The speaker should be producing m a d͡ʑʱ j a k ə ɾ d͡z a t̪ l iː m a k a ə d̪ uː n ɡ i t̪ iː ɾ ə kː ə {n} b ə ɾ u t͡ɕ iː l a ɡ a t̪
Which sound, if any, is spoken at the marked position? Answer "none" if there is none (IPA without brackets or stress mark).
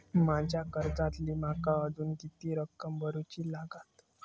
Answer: m